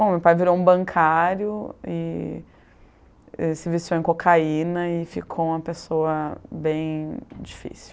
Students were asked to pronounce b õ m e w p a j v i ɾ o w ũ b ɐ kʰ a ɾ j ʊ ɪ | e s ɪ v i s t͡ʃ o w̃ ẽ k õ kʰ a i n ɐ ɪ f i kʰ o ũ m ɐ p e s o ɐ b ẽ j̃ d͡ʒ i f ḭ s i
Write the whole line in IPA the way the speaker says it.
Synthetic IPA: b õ m e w p a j v i ɾ o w ũ b ɐ̃ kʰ a ɾ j ʊ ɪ | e s ɪ v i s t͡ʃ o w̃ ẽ k o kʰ a i n ɐ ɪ f i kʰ o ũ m ɐ p e s o ɐ b ẽ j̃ d͡ʒ i f ḭ s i